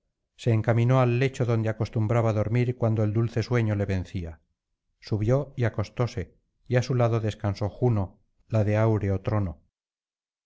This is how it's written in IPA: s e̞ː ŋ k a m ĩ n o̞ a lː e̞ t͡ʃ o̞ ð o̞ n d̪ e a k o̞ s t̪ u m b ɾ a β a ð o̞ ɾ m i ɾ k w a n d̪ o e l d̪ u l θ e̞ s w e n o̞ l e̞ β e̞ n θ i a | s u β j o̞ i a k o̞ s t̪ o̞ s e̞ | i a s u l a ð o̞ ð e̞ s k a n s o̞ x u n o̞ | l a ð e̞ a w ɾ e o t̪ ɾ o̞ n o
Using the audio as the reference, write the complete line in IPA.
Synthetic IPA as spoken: s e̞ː ŋ k a m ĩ n o̞ a lː e̞ t͡ʃ o̞ ð o̞ n d̪ e a k o̞ s t̪ u m b ɾ a β a ð o̞ ɾ m i ɾ k w a n d̪ o e l d̪ u l θ e̞ s w e ɲ o̞ l e̞ β e̞ n θ i a | s u β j o̞ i a k o̞ s t̪ o̞ s e̞ | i a s u l a ð o̞ ð e̞ s k a n s o̞ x u n o̞ | l a ð e̞ a w ɾ e o t̪ ɾ o̞ n o